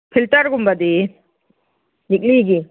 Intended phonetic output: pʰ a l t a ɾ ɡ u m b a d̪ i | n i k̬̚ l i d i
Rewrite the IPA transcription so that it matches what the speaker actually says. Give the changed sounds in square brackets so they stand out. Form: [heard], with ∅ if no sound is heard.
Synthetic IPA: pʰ [i] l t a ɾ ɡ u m b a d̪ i | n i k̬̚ l i [ɡ] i